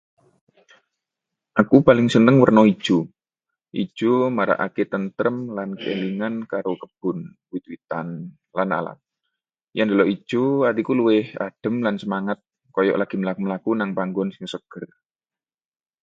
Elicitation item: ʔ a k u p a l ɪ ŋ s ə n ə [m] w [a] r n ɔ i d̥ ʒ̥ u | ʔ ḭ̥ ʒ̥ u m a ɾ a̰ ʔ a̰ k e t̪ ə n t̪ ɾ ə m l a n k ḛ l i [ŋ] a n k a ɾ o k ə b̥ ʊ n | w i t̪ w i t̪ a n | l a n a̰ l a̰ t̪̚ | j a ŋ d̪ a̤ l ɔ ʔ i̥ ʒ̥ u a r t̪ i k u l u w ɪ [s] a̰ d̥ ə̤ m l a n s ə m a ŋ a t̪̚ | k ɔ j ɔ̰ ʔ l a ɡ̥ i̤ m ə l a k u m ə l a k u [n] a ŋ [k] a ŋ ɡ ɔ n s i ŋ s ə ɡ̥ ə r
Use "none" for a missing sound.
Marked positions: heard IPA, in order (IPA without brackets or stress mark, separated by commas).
ŋ, ə, ŋ, h, n, p